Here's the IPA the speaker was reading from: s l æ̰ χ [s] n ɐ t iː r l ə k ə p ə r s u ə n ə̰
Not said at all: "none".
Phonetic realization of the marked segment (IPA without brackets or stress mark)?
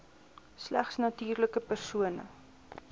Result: s